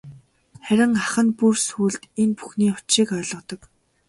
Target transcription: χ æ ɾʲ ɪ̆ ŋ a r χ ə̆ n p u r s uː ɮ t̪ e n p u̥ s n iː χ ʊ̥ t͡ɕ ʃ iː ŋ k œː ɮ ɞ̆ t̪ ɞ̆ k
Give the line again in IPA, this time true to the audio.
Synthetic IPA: χ æ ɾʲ ɪ̆ ŋ a χ ə̆ n p u r s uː ɮ t̪ e n p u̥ x n iː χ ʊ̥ t͡ɕ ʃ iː k œː ɮ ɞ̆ t̪ ɞ̆ k